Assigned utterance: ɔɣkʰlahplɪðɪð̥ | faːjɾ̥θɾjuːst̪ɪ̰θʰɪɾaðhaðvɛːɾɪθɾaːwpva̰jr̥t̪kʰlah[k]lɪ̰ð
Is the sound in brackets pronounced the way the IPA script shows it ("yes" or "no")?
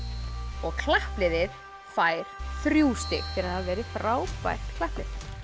no